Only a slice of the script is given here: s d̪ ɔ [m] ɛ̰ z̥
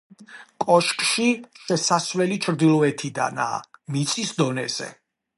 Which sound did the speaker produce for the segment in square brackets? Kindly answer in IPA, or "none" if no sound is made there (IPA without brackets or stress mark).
n